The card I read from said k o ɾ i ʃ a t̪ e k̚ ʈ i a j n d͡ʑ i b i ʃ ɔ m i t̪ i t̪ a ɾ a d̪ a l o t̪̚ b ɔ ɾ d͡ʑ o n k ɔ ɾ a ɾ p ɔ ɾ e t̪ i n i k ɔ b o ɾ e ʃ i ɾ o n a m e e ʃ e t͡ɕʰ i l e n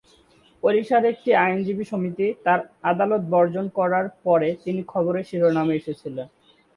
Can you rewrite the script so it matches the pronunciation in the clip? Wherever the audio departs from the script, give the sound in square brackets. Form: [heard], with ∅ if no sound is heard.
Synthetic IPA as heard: [p] o ɾ i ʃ a [d̪] e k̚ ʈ i a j n d͡ʑ i b i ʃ [o] m i t̪ i t̪ a ɾ a d̪ a l o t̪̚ b ɔ ɾ d͡ʑ o n k ɔ ɾ a ɾ p ɔ ɾ e t̪ i n i [kʰ] ɔ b o ɾ e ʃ i ɾ o n a m e e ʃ e t͡ɕʰ i l e n